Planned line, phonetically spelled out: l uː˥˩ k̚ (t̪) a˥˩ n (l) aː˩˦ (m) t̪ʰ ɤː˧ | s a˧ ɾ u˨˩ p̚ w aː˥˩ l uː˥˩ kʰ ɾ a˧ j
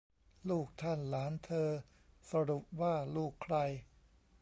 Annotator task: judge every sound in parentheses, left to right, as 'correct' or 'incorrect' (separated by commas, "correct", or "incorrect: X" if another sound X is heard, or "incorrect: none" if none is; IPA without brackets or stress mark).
incorrect: t̪ʰ, correct, incorrect: n